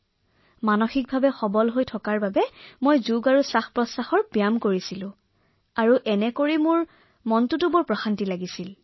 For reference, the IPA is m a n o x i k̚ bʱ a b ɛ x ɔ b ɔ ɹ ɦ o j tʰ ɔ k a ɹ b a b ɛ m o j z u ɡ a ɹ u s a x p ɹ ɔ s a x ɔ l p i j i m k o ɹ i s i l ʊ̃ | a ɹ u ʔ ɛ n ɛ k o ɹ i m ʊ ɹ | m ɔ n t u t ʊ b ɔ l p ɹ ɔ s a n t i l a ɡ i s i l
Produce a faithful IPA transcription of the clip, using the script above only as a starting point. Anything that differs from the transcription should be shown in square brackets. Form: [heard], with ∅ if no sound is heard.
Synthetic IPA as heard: m a n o x i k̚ bʱ a b ɛ x ɔ b ɔ [l] ɦ o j tʰ ɔ k a ɹ b a b ɛ m o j z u ɡ a ɹ u s a x p ɹ ɔ s a x ɔ [ɹ] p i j [a] m k o ɹ i s i l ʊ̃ | a ɹ u ʔ ɛ n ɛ k o ɹ i m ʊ ɹ | m ɔ n t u t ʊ b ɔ [ɹ] p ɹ ɔ [x] a n t i l a ɡ i s i l